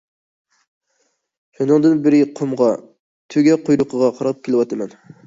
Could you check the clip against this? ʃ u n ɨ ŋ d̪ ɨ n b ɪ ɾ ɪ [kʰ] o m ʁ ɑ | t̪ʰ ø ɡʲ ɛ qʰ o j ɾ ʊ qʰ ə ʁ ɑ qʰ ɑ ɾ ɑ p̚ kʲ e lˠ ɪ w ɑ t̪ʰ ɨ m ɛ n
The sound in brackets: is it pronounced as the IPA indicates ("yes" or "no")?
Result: no